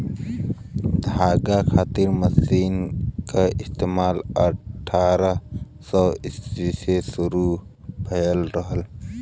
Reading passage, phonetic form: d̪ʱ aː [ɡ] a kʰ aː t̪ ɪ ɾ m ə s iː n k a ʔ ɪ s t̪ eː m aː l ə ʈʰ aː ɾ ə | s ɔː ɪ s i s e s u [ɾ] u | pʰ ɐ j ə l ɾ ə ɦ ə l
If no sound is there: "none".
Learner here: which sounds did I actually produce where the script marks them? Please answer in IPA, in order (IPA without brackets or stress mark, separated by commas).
ɡ, ɾ